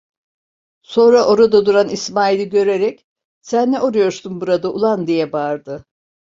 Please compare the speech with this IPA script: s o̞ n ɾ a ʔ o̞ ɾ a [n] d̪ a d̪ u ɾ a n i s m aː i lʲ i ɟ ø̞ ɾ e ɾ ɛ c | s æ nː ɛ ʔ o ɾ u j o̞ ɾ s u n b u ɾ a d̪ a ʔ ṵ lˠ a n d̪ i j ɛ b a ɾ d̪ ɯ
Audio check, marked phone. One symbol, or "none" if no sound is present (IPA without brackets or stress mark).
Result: none